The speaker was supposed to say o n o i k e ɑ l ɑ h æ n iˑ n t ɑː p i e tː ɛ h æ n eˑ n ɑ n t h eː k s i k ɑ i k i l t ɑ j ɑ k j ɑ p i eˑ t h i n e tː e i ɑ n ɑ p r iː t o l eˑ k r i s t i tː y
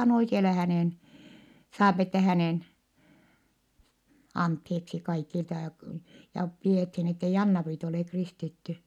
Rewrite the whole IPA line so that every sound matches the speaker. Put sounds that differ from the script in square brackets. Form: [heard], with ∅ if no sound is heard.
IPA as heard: o n o i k e ɑ l ɑ h æ n [eˑ] n [s] ɑː p i e tː ɛ h æ n eˑ n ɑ n t h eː k s i k ɑ i k i l t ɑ j ɑ k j ɑ p i eˑ t h i n e tː e i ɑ [nː] ɑ p r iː t o l eˑ k r i s t i tː y